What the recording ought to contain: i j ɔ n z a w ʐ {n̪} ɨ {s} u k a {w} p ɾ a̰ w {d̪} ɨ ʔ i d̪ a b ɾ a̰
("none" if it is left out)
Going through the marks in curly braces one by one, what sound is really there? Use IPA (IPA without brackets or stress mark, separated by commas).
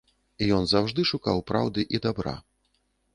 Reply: d̪, ʂ, w, d̪